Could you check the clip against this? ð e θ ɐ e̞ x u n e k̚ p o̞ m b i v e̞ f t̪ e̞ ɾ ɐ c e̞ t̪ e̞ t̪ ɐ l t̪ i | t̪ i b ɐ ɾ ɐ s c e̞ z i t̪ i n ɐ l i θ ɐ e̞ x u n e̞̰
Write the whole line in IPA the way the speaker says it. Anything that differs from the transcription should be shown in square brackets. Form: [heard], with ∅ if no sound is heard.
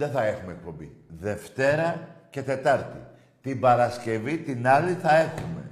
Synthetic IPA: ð e θ ɐ e̞ x u [m] e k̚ p o̞ m b i [ð] e̞ f t̪ e̞ ɾ ɐ c e̞ t̪ e̞ t̪ ɐ [ɾ] t̪ i | t̪ i b ɐ ɾ ɐ s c e̞ [v] i t̪ i n ɐ l i θ ɐ e̞ x u [m] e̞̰